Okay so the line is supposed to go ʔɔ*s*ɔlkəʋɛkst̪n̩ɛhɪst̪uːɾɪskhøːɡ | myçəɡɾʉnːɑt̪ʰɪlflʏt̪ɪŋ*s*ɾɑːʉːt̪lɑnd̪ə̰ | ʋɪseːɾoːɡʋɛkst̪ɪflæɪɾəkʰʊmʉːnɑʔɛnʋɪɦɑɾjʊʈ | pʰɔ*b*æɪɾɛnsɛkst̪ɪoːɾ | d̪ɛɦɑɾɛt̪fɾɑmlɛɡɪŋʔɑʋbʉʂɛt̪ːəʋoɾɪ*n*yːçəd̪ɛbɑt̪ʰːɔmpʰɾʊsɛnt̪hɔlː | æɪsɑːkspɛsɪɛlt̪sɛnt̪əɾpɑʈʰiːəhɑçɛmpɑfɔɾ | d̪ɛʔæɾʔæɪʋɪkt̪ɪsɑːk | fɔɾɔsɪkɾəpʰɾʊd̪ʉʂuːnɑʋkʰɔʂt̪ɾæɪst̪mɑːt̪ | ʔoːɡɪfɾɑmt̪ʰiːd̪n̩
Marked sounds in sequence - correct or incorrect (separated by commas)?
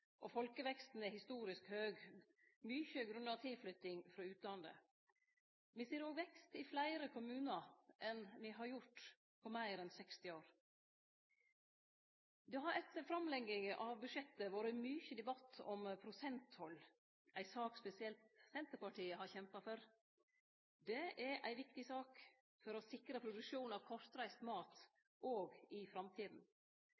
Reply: incorrect, incorrect, incorrect, incorrect